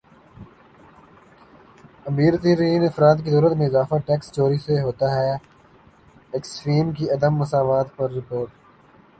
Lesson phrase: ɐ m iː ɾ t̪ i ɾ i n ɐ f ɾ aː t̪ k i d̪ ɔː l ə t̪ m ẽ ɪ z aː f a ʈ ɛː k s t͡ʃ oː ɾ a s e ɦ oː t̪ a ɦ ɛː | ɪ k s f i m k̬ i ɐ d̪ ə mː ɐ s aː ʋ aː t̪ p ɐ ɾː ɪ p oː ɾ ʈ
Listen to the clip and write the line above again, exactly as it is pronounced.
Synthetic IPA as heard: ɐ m iː ɾ t̪ i ɾ iː n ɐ f ɾ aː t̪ k i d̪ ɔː ɾ ə t̪ m ẽ ɪ z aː f a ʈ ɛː k s t͡ʃ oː ɾ i s e ɦ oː t̪ a ɦ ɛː | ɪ k s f iː m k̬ i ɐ d̪ ə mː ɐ s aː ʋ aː t̪ p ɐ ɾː ɪ p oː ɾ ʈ